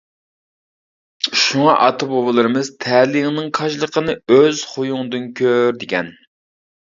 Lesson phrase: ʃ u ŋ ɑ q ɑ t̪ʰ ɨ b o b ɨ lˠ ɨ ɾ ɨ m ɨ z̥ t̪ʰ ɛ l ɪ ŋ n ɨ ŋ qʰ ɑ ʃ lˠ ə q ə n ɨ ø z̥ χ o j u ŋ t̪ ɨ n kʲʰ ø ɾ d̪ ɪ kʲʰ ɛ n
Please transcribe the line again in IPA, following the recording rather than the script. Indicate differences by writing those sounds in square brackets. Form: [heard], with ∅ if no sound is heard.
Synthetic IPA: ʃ u ŋ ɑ [ʔ] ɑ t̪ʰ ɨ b o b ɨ lˠ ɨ ɾ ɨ m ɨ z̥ t̪ʰ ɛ l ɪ ŋ n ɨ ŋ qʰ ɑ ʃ lˠ ə q ə n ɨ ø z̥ χ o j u ŋ [d̪] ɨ n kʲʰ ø ɾ d̪ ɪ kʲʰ ɛ n